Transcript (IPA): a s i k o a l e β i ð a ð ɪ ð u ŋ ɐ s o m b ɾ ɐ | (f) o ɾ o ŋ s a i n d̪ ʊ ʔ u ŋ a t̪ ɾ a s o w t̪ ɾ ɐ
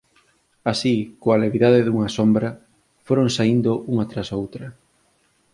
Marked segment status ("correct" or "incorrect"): correct